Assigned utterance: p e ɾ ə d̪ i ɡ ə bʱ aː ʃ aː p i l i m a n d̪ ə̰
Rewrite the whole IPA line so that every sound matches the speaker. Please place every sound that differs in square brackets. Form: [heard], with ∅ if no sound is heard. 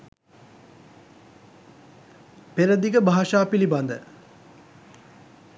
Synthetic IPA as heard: p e ɾ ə d̪ i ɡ ə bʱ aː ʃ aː p i l i [b] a n d̪ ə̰